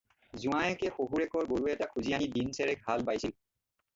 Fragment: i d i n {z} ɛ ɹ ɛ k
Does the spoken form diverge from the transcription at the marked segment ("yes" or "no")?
yes